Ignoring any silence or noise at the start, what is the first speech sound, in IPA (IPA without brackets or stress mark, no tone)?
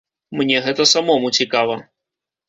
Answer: m